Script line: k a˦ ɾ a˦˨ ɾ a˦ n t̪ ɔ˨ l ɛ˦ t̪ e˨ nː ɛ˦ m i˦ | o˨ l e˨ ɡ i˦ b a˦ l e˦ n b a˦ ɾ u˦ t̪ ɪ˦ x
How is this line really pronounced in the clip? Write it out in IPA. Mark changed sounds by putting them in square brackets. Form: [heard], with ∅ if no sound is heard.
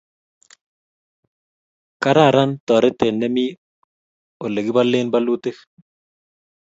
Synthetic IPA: k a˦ ɾ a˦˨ ɾ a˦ n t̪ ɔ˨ [ɾ] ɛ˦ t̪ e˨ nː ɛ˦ m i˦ | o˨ l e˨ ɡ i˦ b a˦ l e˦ n b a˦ [l] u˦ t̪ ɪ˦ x